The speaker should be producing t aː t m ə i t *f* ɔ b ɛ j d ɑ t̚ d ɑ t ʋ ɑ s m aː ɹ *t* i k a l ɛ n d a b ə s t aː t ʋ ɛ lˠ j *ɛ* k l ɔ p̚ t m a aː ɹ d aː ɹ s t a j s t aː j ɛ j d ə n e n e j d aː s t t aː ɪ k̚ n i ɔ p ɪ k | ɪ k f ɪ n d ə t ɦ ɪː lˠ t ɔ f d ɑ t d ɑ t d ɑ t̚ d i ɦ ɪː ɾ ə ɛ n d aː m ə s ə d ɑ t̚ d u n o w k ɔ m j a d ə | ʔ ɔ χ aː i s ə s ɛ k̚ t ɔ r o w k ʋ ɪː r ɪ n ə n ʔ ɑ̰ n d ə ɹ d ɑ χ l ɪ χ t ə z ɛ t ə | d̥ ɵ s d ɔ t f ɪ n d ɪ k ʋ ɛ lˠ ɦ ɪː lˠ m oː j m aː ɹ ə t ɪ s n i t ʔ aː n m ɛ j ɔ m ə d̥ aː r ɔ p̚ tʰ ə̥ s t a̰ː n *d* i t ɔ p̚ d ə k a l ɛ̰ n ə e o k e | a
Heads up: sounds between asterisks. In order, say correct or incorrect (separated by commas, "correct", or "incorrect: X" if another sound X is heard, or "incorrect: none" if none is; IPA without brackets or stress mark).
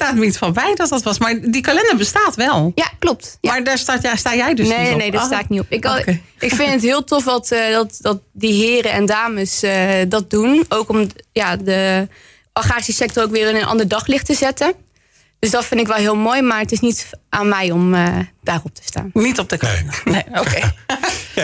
correct, incorrect: d, incorrect: a, incorrect: n